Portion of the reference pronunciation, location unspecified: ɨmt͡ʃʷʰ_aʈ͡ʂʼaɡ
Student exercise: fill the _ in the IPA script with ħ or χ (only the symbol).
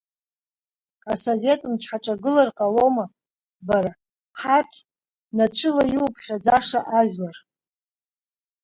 ħ